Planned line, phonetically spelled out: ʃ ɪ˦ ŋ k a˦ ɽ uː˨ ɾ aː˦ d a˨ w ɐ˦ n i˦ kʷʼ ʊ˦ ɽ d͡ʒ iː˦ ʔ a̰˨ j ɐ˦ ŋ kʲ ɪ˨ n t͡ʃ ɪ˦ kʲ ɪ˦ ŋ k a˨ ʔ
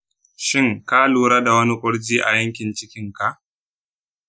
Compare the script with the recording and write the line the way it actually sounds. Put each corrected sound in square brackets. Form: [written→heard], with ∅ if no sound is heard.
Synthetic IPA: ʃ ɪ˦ ŋ k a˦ [ɽ→l] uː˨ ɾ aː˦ d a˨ w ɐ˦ n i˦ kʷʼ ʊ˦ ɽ d͡ʒ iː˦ ʔ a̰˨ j ɐ˦ ŋ kʲ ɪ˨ n t͡ʃ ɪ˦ kʲ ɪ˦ ŋ k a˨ ʔ